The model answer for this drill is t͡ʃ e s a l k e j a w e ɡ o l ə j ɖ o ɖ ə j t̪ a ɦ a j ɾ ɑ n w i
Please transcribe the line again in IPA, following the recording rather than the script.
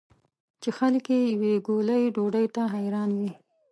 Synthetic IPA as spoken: t͡ʃ e x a l k e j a w e ɡ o l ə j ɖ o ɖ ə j t̪ a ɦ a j ɾ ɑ n w i